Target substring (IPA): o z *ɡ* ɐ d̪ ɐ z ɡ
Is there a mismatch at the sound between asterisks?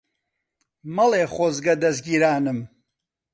no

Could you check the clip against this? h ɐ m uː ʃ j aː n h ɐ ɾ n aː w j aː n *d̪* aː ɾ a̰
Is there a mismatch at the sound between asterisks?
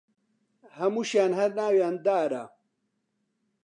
no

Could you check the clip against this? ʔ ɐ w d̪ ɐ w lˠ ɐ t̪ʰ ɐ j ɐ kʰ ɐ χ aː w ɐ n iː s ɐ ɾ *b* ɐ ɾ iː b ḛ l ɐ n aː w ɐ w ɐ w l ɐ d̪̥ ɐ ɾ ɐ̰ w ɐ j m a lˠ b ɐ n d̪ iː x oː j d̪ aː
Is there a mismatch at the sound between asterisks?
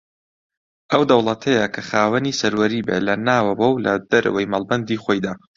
yes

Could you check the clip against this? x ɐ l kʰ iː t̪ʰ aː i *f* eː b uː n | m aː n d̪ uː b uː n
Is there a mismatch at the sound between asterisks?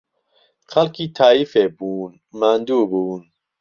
no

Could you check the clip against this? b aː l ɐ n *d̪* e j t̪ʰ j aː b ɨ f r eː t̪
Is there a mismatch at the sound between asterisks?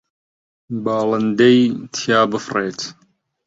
no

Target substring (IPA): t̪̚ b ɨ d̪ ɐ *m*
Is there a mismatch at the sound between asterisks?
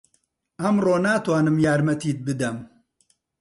no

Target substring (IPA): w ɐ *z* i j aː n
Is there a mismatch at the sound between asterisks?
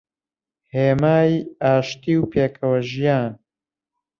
yes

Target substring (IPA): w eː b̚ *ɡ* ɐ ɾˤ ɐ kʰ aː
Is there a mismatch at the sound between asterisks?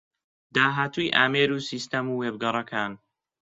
no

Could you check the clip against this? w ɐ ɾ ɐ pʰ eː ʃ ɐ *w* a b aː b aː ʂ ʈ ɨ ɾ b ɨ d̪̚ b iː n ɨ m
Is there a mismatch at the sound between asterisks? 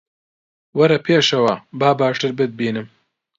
no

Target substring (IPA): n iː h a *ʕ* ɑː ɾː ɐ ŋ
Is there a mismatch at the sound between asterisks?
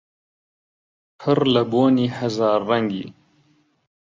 yes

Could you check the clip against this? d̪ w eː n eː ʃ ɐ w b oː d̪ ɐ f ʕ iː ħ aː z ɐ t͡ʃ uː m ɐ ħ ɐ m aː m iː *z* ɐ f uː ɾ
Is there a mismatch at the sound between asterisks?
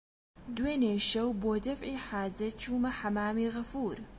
yes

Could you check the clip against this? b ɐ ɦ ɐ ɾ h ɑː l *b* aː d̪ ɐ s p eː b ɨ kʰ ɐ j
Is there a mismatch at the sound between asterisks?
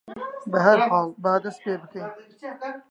no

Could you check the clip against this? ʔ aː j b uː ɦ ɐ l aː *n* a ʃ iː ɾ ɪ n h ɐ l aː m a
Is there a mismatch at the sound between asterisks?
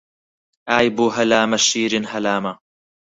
yes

